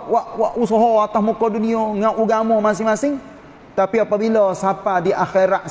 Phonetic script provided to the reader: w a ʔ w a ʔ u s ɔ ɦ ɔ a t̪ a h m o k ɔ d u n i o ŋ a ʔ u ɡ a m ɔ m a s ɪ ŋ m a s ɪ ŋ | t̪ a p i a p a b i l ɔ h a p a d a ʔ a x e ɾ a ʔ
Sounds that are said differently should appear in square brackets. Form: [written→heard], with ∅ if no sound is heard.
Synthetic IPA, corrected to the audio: w a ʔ w a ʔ u s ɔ ɦ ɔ a t̪ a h m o k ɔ d u n i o ŋ a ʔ u ɡ a m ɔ m a s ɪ ŋ m a s ɪ ŋ | t̪ a p i a p a b i l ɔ [h→s] a p a d [a→i] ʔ a x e ɾ a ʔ